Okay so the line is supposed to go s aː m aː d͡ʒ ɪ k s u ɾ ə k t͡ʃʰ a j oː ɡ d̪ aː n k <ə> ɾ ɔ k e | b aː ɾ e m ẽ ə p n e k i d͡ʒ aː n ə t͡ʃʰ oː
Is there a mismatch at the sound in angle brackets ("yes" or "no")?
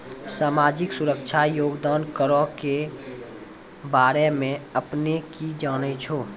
no